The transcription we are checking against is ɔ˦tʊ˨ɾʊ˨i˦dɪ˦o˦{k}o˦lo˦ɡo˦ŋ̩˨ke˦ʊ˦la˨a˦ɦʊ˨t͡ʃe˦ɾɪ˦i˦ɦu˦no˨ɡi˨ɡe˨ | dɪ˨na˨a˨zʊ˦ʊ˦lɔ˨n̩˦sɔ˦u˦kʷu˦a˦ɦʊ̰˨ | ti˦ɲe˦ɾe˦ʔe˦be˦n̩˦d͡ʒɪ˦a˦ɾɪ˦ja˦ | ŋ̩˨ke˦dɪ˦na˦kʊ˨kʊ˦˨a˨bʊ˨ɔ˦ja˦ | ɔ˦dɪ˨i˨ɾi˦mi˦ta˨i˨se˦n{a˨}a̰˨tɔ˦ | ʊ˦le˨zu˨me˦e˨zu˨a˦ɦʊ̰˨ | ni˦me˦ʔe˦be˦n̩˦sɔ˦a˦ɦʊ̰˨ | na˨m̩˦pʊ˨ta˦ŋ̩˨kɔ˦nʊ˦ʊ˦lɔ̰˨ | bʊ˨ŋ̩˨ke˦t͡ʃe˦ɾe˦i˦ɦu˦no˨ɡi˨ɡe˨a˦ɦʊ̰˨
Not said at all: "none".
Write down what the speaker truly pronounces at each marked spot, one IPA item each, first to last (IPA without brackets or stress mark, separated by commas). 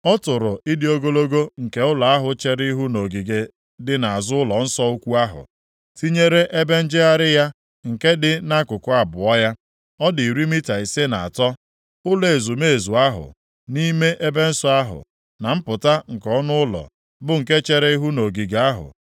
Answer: ɡ, a˨